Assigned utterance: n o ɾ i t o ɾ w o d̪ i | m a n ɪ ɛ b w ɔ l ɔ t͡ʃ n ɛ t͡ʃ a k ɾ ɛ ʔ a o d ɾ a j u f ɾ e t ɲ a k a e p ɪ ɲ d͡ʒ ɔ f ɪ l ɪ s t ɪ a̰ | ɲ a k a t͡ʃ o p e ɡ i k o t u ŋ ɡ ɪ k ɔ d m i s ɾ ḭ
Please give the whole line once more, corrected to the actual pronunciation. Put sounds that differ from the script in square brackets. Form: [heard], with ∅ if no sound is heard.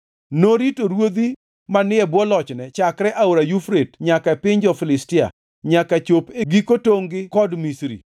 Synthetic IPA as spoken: n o ɾ i t o ɾ w o d̪ i | m a n ɪ ɛ b w ɔ l ɔ t͡ʃ n ɛ t͡ʃ a k ɾ ɛ ʔ a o [∅] ɾ a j u f ɾ e t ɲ a k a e p ɪ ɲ d͡ʒ ɔ f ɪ l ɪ s t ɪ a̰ | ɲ a k a t͡ʃ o p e ɡ i k o t [o] ŋ ɡ ɪ k ɔ d m i s ɾ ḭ